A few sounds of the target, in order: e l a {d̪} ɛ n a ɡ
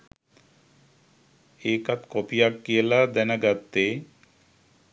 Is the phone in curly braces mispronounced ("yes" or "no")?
no